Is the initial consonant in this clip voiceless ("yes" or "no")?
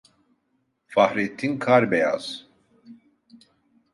yes